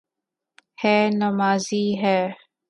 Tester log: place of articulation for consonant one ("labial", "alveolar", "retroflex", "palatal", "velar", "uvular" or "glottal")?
glottal